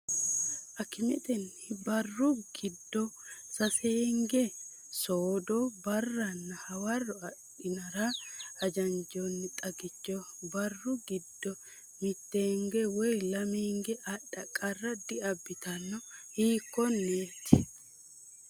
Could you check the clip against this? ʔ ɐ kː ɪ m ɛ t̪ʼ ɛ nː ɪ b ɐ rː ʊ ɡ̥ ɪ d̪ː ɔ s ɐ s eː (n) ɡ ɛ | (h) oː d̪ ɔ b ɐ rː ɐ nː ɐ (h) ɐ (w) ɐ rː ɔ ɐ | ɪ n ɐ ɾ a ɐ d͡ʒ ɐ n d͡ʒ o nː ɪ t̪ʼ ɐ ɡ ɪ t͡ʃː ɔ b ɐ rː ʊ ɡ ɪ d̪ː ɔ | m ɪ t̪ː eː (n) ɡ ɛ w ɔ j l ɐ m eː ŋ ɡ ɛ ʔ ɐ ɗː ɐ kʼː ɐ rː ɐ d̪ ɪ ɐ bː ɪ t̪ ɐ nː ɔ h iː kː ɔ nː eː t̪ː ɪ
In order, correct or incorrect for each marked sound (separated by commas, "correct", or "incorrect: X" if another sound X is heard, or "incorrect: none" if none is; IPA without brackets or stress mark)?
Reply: incorrect: ŋ, incorrect: s, correct, correct, incorrect: ŋ